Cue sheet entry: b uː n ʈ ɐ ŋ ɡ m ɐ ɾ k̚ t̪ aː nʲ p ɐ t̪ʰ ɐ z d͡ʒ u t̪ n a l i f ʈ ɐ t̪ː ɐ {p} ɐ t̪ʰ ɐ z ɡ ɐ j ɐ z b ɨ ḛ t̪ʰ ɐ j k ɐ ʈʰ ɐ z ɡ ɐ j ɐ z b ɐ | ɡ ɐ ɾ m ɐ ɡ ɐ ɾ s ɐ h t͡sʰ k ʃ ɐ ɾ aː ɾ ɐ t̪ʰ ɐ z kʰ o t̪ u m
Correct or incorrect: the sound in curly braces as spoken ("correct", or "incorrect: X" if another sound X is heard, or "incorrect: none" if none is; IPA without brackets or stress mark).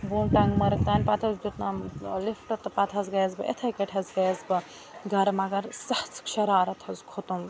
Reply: correct